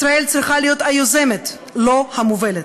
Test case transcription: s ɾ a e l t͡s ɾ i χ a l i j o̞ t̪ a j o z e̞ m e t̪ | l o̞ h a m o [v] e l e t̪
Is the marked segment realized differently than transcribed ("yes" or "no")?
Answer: no